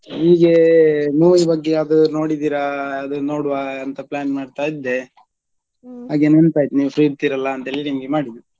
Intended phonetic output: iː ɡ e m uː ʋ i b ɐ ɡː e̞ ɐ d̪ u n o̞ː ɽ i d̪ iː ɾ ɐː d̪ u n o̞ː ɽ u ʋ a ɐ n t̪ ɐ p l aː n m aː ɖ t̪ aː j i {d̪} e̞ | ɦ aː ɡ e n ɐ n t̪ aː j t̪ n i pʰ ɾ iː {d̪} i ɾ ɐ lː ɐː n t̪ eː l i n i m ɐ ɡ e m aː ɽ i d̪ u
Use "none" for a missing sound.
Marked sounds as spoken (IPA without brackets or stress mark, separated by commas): d̪ː, t̪